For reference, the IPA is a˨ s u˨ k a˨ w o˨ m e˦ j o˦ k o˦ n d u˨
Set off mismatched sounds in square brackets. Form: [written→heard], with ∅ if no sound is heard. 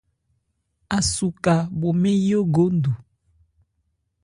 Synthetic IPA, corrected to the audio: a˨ s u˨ k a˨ [w→b] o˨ m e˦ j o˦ [k→ɡ] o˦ n d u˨